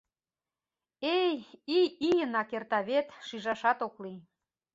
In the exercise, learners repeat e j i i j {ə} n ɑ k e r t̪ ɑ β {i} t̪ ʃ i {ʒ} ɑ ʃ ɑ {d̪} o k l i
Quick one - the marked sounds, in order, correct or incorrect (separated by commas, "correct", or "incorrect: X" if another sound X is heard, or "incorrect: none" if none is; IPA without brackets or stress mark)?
correct, incorrect: e, correct, incorrect: t̪